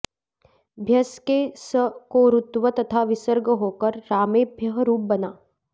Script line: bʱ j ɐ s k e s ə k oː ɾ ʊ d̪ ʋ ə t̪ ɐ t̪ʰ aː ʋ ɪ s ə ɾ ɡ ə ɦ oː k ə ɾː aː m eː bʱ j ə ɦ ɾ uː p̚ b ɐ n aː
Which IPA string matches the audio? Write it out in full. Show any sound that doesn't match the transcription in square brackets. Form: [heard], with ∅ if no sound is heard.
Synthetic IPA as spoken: bʱ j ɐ s k e s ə k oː ɾ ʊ [t̪] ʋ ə t̪ ɐ t̪ʰ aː ʋ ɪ s ə ɾ ɡ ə ɦ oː k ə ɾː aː m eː bʱ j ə ɦ ɾ uː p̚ b ɐ n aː